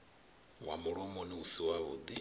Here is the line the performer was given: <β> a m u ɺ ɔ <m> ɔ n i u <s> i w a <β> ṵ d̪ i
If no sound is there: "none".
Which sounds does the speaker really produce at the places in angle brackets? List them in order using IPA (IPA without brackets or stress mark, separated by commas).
w, m, s, β